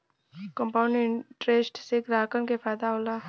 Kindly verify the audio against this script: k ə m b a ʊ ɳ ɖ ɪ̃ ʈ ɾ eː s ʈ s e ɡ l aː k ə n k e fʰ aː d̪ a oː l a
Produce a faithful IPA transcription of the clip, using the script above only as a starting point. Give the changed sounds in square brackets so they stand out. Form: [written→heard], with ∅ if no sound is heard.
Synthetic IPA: k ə m [b→p] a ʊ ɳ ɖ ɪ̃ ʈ ɾ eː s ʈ s e ɡ [l→ɾ] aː k ə n k e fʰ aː d̪ a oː l a